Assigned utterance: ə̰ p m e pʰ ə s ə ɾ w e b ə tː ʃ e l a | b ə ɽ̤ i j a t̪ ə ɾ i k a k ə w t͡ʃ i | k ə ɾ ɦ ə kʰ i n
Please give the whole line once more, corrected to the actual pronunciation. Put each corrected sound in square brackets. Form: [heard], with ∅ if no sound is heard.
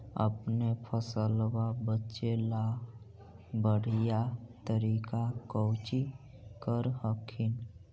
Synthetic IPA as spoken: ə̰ p [n] e pʰ ə s ə [l] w [a] b ə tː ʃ e l a | b ə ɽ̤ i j a t̪ ə ɾ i k a k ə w t͡ʃ i | k ə ɾ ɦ ə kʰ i n